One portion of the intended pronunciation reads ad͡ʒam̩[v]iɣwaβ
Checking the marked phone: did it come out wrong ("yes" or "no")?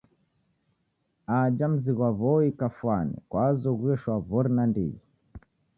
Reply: yes